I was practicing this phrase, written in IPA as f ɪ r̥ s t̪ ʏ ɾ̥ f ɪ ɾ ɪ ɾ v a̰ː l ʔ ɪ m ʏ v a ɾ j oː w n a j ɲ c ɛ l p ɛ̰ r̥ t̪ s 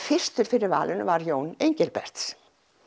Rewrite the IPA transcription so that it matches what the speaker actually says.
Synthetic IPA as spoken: f ɪ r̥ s t̪ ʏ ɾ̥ f ɪ ɾ ɪ ɾ v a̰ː l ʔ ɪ n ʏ v a ɾ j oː w n e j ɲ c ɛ l p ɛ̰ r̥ t̪ s